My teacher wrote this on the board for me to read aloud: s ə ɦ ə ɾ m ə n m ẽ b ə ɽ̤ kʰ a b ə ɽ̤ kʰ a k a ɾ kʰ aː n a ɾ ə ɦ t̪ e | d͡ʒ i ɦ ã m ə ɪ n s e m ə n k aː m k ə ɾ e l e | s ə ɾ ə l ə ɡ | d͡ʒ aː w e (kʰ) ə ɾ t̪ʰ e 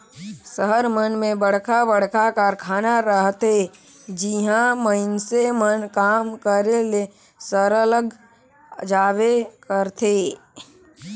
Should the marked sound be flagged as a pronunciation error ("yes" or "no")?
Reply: yes